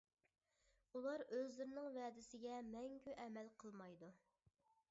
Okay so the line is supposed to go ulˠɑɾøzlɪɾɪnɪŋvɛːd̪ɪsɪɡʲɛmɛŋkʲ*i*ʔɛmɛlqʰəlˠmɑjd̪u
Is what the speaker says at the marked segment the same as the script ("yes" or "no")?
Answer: no